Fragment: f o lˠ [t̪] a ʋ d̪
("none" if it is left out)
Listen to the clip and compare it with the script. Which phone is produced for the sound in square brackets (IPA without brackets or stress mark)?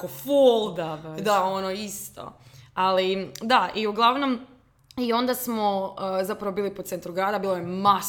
d̪